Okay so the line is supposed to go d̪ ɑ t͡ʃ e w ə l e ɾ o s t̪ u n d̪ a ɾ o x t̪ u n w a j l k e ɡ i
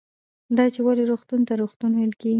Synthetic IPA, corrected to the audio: d̪ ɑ t͡ʃ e w a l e ɾ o x t̪ u n t̪ a ɾ o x t̪ u n w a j l k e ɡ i